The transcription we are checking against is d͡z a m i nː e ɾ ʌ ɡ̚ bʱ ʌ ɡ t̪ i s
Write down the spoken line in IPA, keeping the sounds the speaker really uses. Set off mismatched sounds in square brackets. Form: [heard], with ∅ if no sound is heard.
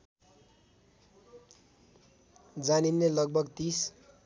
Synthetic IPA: d͡z a [n] i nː e [l] ʌ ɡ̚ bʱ ʌ ɡ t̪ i s

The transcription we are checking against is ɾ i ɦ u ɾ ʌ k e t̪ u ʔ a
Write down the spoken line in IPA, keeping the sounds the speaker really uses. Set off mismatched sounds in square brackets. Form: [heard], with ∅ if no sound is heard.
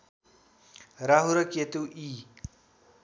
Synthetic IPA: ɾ [a] ɦ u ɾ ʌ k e t̪ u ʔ [i]

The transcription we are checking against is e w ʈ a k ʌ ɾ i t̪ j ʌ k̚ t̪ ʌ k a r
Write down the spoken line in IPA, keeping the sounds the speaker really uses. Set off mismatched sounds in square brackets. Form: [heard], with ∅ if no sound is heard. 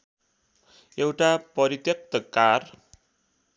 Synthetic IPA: e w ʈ a [p] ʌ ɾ i t̪ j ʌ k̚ t̪ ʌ k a r

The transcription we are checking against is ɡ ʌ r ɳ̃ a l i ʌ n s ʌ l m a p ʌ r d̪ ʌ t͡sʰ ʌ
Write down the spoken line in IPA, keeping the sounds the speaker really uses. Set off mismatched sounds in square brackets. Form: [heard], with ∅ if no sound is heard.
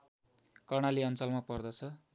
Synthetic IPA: [k] ʌ r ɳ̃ a l i ʌ n [t͡s] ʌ l m a p ʌ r d̪ ʌ t͡sʰ ʌ

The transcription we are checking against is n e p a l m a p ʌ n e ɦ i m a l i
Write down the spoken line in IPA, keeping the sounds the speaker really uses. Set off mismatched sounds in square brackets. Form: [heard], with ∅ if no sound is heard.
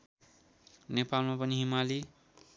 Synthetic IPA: n e p a l m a p ʌ n [i] ɦ i m a l i

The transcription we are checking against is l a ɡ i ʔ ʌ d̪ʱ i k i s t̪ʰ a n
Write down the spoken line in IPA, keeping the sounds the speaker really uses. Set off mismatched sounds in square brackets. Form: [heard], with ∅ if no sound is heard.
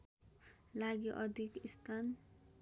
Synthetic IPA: l a ɡ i ʔ ʌ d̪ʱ i k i s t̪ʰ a n

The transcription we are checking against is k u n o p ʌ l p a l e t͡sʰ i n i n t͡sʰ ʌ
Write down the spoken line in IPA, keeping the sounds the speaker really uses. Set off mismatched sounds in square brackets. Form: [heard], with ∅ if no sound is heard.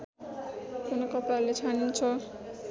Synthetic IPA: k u n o [k] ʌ [∅] p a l e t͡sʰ [a] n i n t͡sʰ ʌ

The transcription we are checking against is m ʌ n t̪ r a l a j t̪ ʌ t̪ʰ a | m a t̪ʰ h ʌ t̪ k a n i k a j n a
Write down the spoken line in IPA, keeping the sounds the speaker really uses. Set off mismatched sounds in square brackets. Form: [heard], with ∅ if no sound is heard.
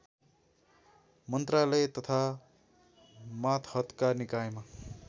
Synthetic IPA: m ʌ n t̪ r a l [ʌ] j t̪ ʌ t̪ʰ a | m a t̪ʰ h ʌ t̪ k a n i k a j [m] a

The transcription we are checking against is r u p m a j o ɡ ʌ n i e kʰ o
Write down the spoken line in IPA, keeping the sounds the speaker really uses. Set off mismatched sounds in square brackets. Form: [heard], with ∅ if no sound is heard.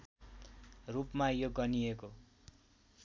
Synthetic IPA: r u p m a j o ɡ ʌ n i e [k] o

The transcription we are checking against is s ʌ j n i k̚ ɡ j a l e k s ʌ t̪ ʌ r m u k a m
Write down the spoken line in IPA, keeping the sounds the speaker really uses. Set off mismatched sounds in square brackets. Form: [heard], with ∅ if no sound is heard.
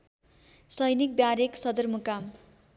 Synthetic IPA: s ʌ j n i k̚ [b] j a [ɾ] e k s ʌ [d̪] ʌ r m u k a m

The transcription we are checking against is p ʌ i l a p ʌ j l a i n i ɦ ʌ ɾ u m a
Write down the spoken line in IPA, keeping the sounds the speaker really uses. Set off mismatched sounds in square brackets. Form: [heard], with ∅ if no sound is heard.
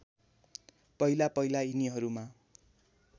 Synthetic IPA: p ʌ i l a p ʌ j l a i n i ɦ ʌ ɾ u m a

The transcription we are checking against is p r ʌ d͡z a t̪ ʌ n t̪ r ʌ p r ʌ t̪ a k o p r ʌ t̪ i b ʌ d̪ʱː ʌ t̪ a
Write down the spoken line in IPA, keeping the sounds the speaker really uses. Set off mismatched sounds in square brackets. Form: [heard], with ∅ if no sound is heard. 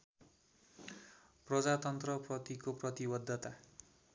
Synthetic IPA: p r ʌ d͡z a t̪ ʌ n t̪ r ʌ p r ʌ t̪ [i] k o p r ʌ t̪ i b ʌ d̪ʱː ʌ t̪ a

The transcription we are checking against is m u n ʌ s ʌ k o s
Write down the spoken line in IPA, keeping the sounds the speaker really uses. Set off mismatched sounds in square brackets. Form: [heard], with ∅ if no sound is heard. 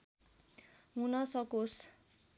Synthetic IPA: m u n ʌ s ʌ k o s

